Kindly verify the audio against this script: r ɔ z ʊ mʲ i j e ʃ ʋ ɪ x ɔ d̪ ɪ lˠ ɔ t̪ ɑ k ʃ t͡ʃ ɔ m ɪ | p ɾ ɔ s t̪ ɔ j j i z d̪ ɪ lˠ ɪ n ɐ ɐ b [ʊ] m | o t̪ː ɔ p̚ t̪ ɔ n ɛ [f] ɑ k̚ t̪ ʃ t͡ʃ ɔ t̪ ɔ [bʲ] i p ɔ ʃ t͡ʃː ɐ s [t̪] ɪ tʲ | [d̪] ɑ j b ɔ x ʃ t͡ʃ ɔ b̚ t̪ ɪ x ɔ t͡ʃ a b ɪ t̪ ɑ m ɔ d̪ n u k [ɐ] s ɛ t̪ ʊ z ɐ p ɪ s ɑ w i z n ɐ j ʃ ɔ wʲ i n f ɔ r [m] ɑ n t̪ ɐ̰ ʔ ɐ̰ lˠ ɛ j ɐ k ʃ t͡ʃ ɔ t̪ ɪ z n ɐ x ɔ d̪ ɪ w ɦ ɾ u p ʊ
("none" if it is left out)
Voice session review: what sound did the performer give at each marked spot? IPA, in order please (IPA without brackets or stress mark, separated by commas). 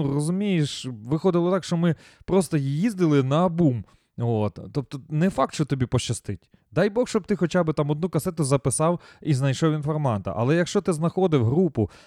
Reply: u, f, bʲ, t̪, d̪, ɐ, m